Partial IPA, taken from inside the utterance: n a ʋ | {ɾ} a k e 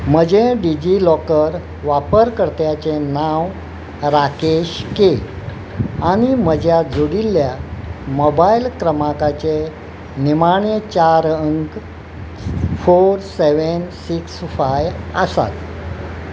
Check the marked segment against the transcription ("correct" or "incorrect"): correct